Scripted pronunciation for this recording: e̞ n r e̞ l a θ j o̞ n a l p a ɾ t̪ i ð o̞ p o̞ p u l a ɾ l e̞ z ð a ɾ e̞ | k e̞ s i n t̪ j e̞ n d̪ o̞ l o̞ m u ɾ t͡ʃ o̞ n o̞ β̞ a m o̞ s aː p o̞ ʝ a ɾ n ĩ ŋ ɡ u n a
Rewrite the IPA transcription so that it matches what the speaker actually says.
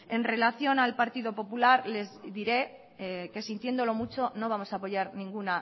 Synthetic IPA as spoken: e̞ n r e̞ l a θ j o̞ n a l p a ɾ t̪ i ð o̞ p o̞ p u l a ɾ l e̞ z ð i ɾ e̞ | k e̞ s i n t̪ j e̞ n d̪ o̞ l o̞ m u t͡ʃ o̞ n o̞ β̞ a m o̞ s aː p o̞ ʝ a ɾ n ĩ ŋ ɡ u n a